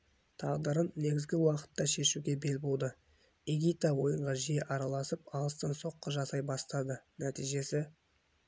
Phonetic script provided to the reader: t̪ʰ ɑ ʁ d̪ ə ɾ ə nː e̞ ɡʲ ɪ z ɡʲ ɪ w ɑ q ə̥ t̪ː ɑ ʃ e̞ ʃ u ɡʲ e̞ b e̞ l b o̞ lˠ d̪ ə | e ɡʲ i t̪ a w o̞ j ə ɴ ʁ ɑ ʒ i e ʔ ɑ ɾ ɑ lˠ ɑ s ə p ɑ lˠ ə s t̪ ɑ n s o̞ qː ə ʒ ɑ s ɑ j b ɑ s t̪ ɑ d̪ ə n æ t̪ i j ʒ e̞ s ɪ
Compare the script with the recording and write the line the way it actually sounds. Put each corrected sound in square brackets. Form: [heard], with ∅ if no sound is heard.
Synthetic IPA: t̪ʰ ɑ ʁ d̪ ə ɾ ə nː e̞ ɡʲ ɪ z ɡʲ ɪ w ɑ q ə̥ t̪ː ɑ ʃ e̞ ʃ u ɡʲ e̞ b e̞ l b o̞ lˠ d̪ ə | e ɡʲ i t̪ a w o̞ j ə ɴ ʁ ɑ ʒ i e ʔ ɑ ɾ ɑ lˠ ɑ s ə p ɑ lˠ ə s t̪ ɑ n s o̞ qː ə ʒ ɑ s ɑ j b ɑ s t̪ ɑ d̪ ə n æ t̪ i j ʒ e̞ s ɪ